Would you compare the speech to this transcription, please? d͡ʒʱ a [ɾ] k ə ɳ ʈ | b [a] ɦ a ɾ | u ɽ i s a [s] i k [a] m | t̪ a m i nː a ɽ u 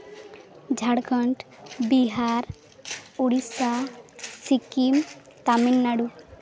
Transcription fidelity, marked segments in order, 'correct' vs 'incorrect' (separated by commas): incorrect, incorrect, correct, incorrect